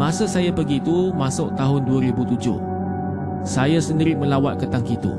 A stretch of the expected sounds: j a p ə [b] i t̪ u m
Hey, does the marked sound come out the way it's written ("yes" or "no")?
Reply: no